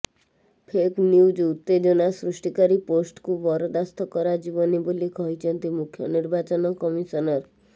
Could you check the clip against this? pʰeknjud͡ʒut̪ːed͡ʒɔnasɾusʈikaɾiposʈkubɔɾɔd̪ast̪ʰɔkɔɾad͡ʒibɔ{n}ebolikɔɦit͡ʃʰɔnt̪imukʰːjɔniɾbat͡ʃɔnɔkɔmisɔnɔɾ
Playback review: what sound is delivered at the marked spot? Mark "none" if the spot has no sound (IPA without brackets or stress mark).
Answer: n